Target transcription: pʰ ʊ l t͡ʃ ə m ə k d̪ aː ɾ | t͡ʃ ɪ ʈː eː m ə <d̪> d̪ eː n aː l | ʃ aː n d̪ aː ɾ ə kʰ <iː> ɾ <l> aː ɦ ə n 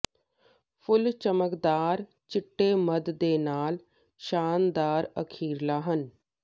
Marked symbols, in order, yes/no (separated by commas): yes, yes, yes